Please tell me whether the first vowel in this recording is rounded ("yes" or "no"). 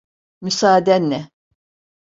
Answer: yes